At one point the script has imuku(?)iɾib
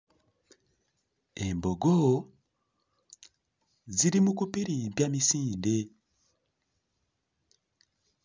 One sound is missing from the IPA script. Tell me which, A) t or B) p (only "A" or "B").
B